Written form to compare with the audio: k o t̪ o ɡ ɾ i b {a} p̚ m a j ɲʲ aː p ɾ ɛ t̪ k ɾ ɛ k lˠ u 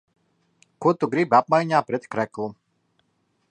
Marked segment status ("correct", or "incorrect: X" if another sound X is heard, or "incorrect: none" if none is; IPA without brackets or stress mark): correct